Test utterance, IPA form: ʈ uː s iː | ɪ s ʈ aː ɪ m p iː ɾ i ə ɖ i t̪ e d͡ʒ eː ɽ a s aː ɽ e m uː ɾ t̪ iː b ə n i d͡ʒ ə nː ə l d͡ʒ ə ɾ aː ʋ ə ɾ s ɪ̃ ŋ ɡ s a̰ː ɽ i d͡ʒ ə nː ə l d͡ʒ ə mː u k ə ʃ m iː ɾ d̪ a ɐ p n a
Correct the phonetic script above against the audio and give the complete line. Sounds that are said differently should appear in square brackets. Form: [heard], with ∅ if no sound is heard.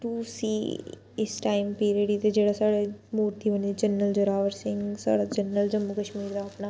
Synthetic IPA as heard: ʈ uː s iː | ɪ s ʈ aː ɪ m p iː ɾ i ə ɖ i t̪ e d͡ʒ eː ɽ a s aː ɽ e m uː ɾ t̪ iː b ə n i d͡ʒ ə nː ə l d͡ʒ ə ɾ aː ʋ ə ɾ s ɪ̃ ŋ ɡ s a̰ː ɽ [a] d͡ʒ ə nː ə l d͡ʒ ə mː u k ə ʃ m iː ɾ d̪ a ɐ p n a